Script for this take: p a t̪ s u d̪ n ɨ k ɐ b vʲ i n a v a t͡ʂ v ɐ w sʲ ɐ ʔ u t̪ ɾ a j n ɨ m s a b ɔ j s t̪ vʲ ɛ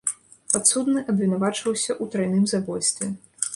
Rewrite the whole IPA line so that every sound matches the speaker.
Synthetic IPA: p a t̪ s u d̪ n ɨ ʔ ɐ b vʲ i n a v a t͡ʂ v ɐ w sʲ ɐ ʔ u t̪ ɾ a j n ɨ m z a b ɔ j s t̪ vʲ ɛ